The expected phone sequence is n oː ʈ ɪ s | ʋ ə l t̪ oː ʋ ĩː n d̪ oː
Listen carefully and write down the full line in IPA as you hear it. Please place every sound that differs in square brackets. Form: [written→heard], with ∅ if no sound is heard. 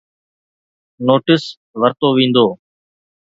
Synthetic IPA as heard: n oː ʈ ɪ s | ʋ ə [l→ɾ] t̪ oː ʋ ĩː n d̪ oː